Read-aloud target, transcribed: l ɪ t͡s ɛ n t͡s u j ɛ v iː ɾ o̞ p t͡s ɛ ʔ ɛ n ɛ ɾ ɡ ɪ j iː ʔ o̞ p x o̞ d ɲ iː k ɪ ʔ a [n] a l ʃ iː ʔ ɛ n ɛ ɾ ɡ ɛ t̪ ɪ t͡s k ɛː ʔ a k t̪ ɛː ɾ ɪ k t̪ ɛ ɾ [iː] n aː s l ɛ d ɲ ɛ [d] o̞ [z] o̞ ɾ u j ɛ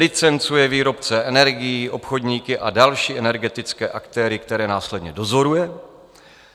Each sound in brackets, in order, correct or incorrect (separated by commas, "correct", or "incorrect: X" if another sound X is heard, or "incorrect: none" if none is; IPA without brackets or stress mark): incorrect: d, incorrect: ɛː, correct, correct